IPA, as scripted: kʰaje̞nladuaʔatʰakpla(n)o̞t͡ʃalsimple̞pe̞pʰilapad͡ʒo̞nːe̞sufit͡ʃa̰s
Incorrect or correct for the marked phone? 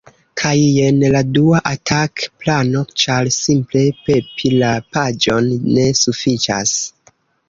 correct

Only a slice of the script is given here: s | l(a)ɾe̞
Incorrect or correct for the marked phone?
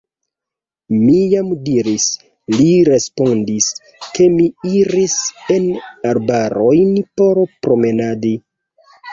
incorrect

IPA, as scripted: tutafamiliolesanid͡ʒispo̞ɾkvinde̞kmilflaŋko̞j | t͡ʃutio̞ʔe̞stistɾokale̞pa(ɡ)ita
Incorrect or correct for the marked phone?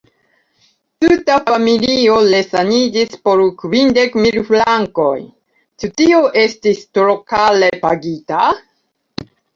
correct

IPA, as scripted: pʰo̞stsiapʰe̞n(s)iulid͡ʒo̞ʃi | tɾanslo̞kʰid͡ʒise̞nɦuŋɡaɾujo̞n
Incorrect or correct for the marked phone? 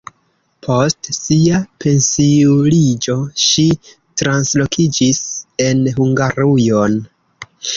correct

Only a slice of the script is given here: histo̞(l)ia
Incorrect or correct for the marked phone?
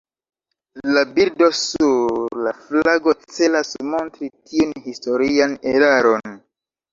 incorrect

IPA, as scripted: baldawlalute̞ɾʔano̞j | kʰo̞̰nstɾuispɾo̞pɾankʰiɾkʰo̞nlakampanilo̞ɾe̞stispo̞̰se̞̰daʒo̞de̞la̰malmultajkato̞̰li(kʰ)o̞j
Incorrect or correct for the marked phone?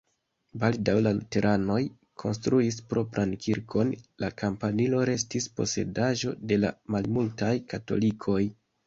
correct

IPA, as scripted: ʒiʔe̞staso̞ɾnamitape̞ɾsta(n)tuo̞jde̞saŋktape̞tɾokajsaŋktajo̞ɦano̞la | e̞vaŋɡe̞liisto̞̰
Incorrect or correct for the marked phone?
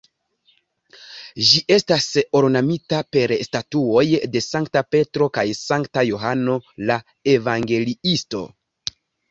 incorrect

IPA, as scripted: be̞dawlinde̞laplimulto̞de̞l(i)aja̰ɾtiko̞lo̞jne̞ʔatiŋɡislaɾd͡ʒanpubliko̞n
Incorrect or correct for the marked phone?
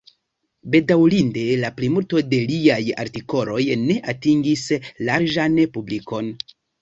correct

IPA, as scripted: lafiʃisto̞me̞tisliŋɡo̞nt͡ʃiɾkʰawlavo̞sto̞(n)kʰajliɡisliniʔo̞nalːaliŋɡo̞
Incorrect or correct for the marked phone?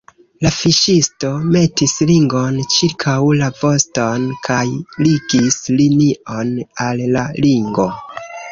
correct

